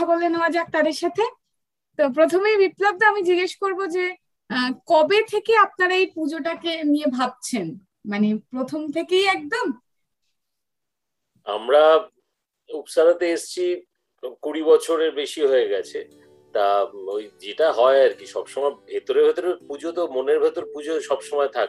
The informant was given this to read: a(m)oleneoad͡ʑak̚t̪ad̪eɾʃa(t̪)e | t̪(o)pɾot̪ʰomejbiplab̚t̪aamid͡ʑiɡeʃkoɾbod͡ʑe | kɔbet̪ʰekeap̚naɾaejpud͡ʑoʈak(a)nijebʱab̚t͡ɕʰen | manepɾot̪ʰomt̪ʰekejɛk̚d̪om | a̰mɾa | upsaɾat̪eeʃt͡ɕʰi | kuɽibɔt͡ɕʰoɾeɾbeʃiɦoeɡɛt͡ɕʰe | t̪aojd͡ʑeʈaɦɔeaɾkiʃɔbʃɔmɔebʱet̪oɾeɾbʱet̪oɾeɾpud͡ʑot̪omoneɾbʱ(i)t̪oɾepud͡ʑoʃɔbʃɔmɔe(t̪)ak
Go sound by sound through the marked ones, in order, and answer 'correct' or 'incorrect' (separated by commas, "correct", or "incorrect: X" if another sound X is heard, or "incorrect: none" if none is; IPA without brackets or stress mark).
incorrect: b, incorrect: t̪ʰ, correct, incorrect: e, incorrect: e, incorrect: t̪ʰ